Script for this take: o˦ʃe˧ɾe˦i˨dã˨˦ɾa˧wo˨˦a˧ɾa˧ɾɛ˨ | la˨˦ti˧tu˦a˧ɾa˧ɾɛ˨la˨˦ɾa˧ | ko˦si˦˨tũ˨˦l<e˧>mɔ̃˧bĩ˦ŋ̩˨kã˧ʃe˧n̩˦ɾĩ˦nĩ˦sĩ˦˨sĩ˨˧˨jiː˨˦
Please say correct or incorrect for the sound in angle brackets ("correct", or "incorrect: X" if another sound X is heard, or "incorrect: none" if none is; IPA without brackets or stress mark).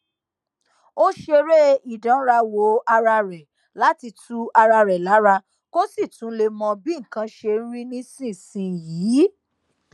correct